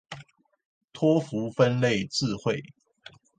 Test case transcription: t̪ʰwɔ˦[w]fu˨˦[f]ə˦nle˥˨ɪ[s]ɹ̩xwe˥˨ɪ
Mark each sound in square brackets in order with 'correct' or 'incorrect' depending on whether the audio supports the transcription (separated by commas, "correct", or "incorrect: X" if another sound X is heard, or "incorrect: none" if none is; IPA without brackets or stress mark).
incorrect: none, correct, incorrect: t͡s